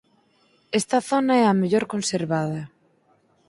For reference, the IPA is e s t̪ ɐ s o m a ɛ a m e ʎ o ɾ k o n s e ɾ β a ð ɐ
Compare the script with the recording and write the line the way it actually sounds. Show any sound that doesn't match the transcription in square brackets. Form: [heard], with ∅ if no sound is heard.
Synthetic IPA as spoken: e s t̪ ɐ [θ] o [n] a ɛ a m e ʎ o ɾ k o n s e ɾ β a ð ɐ